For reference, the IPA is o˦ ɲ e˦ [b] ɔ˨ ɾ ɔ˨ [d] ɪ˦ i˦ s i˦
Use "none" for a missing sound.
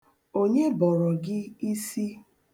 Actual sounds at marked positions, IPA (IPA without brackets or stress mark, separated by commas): b, ɡ